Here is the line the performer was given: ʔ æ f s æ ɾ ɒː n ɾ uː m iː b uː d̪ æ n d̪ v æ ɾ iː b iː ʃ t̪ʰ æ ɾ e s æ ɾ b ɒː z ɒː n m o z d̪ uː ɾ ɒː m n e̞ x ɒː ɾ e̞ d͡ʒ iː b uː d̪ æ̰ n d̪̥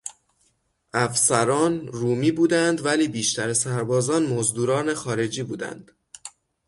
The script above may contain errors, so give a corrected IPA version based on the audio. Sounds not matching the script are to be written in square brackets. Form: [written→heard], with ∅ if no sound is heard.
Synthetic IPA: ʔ æ f s æ ɾ ɒː n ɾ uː m iː b uː d̪ æ n d̪ v æ [ɾ→l] iː b iː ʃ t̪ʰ æ ɾ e s æ ɾ b ɒː z ɒː n m o z d̪ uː ɾ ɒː [m→∅] n e̞ x ɒː ɾ e̞ d͡ʒ iː b uː d̪ æ̰ n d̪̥